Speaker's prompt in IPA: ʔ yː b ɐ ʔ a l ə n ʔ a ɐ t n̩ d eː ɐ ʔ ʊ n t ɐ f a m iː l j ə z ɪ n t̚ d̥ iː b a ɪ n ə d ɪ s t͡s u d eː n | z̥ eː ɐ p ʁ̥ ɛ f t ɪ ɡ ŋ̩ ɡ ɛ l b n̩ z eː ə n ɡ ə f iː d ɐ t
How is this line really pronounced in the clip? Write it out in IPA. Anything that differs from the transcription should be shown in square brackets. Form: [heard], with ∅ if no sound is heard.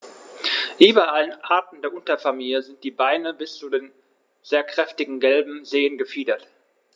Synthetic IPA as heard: ʔ yː b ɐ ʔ a l ə n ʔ a ɐ t n̩ d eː ɐ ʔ ʊ n t ɐ f a m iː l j ə z ɪ n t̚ d̥ iː b a ɪ n ə [b] ɪ s t͡s u d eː n | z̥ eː ɐ [k] ʁ̥ ɛ f t ɪ ɡ ŋ̩ ɡ ɛ l b [m̩] z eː ə n ɡ ə f iː d ɐ t